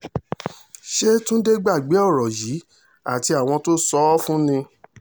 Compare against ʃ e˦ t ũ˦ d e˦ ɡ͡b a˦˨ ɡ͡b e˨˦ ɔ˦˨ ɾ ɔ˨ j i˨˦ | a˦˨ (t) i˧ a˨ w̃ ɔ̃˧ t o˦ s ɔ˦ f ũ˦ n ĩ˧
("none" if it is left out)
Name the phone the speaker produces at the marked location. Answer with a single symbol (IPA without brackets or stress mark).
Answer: t